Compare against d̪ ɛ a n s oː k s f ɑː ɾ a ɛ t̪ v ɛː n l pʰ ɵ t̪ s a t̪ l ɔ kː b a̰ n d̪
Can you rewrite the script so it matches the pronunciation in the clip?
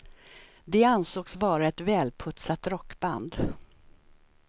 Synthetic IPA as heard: d̪ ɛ a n s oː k s v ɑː ɾ a ɛ t̪ v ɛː l pʰ ɵ t̪ s a t̪ ɾ ɔ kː b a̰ n d̪

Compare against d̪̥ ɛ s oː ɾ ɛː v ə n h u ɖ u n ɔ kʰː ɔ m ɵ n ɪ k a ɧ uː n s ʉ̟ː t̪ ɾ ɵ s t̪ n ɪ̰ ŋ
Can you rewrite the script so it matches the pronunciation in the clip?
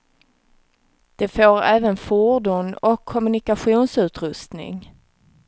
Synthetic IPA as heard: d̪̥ ɛ f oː ɾ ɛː v ə n f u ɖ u n ɔ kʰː ɔ m ɵ n ɪ k a ɧ uː n s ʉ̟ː t̪ ɾ ɵ s t̪ n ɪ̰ ŋ

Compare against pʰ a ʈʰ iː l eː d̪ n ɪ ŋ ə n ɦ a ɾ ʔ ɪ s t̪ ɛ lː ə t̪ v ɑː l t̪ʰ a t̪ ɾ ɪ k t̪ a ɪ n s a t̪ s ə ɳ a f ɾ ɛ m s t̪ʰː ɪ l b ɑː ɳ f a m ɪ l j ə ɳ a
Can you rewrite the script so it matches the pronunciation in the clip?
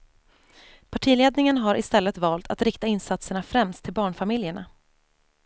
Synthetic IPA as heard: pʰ a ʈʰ iː l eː d̪ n ɪ ŋ ə n ɦ a ɾ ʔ ɪ s t̪ ɛ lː ə t̪ v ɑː l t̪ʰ a t̪ ɾ ɪ k t̪ a ɪ n s a t̪ s ə ɳ a f ɾ ɛ m s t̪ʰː ɪ l b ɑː ɳ f a m ɪ l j ə ɳ a

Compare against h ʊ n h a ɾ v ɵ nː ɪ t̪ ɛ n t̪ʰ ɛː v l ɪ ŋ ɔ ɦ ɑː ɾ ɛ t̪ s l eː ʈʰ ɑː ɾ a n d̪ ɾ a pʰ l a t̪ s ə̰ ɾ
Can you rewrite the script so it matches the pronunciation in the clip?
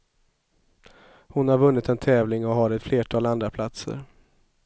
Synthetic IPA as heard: h ʊ n h a ɾ v ɵ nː ɪ t̪ ɛ n t̪ʰ ɛː v l ɪ ŋ ɔ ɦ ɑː ɾ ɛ t̪ f l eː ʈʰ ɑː l a n d̪ ɾ a pʰ l a t̪ s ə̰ ɾ

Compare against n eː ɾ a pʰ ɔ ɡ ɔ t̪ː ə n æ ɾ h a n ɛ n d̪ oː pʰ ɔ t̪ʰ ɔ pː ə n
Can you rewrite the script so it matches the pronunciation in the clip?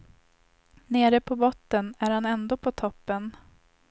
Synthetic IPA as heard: n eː ɾ ə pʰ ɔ b ɔ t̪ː ə n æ ɾ h a n ɛ n d̪ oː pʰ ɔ t̪ʰ ɔ pː ə n

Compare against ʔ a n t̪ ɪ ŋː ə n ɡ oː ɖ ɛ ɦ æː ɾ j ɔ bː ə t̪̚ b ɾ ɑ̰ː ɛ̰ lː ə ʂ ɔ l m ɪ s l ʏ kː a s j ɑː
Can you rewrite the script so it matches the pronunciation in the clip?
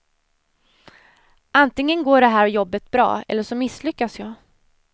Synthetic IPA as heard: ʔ a n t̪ ɪ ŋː ə n ɡ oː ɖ ɛ ɦ æː ɾ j ɔ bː ə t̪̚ b ɾ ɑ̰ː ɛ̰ lː ə ʂ ɔ m ɪ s l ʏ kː a s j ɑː

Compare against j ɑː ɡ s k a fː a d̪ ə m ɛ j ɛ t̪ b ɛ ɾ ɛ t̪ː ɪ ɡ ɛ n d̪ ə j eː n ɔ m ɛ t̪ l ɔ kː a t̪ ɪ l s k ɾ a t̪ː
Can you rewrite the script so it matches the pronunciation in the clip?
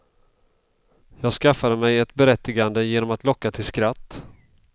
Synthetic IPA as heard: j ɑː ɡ s k a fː a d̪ ə m ɛ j ɛ t̪ b ɛ ɾ ɛ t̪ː ɪ ɡ a n d̪ ə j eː n ɔ m a t̪ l ɔ kː a t̪ʰ ɪ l s k ɾ a t̪ː

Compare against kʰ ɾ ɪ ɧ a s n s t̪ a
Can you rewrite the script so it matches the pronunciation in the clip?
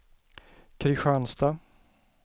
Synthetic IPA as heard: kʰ ɾ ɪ ɧ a n s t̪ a

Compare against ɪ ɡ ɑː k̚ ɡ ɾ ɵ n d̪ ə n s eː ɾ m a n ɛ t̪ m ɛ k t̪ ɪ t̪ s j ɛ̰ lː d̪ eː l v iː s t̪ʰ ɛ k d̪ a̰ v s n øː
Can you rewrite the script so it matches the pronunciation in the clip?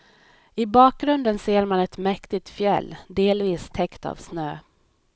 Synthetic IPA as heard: ɪ b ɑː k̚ ɡ ɾ ɵ n d̪ ə n s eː ɾ m a n ɛ t̪ m ɛ k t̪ ɪ t̪ f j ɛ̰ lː d̪ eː l v iː s t̪ʰ ɛ k t̪ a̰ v s n øː

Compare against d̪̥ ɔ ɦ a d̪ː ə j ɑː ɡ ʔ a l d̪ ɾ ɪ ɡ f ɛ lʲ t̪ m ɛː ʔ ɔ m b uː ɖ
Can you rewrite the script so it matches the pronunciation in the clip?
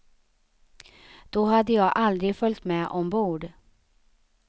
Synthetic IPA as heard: d̪̥ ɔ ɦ a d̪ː ə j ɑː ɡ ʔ a l d̪ ɾ ɪ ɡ f œ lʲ t̪ m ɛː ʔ ɔ m b uː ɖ

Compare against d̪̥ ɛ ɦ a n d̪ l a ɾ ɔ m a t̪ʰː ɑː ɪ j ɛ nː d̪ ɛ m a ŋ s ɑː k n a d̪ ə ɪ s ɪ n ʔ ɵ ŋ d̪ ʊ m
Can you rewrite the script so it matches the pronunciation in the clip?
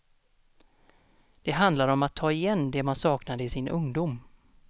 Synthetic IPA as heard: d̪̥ ɛ ɦ a n d̪ l a ɾ ɔ m a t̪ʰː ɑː ɪ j ɛ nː d̪ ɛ m a n s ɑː k n a d̪ ə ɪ s ɪ n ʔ ɵ ŋ d̪ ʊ m

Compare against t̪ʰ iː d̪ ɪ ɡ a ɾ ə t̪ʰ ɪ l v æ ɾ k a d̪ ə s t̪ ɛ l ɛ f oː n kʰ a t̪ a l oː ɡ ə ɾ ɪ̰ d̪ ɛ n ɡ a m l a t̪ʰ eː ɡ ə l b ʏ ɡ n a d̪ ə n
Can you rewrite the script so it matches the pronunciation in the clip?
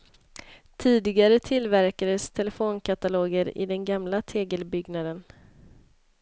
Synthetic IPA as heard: t̪ʰ iː d̪ ɪ ɡ a ɾ ə t̪ʰ ɪ l v æ ɾ k a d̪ ə s t̪ʰ ɛ l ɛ f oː n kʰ a t̪ a l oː ɡ ə ɾ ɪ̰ d̪ ɛ n ɡ a m l a t̪ʰ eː ɡ ə l b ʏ ɡ n a d̪ ə n

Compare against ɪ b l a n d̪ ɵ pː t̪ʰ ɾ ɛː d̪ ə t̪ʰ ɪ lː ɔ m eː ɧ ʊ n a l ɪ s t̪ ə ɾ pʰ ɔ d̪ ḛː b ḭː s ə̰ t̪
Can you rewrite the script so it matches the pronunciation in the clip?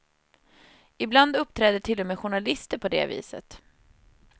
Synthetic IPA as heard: ɪ b l a n d̪ ɵ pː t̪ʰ ɾ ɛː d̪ ə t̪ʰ ɪ lː ɔ m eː ɧ ʊ ɳ a l ɪ s t̪ ə ɾ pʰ ɔ d̪ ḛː v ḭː s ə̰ t̪

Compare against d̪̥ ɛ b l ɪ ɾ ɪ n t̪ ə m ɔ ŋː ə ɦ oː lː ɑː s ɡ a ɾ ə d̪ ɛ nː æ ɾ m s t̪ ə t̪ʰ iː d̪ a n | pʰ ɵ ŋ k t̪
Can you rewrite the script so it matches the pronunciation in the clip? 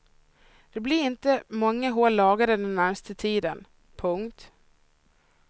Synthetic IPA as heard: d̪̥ ɛ b l ɪ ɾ ɪ n t̪ ə m ɔ ŋː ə ɦ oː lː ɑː ɡ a ɾ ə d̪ ɛ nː æ ɾ m s t̪ ə t̪ʰ iː d̪ ə n | pʰ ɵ ŋ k t̪

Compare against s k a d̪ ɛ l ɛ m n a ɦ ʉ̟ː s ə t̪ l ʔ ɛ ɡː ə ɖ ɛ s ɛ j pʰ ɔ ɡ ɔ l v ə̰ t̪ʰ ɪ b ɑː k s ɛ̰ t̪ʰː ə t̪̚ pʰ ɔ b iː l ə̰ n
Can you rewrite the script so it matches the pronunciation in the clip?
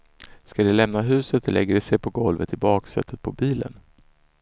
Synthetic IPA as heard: s k a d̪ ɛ l ɛ m n a ɦ ʉ̟ː s ə t̪ l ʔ ɛ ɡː ə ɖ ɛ s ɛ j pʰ ɔ ɡ ɔ l v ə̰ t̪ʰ ɪ b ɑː k s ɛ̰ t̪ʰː ə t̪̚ pʰ ɔ b iː l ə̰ n

